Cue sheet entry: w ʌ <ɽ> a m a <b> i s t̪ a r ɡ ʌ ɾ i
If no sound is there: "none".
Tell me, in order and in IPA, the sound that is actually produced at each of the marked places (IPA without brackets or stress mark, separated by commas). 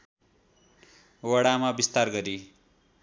ɽ, b